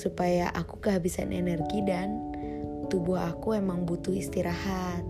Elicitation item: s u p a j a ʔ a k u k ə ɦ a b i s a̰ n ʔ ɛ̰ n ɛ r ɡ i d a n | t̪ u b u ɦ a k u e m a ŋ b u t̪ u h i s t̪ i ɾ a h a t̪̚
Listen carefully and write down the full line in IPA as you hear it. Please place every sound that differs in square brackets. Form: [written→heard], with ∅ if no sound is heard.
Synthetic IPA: s u p a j a ʔ a k u k ə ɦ a b i s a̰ n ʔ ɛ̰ n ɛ r ɡ i d a n | t̪ u b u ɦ a k u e m a ŋ b u t̪ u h i s t̪ i ɾ a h a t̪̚